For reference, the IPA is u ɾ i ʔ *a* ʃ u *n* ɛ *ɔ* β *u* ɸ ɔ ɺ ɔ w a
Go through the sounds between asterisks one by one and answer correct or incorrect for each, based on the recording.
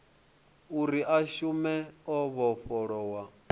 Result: correct, incorrect, correct, incorrect

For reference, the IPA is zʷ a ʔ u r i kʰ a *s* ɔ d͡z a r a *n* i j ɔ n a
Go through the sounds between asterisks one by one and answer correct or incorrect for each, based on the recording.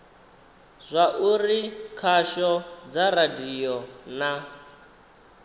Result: incorrect, incorrect

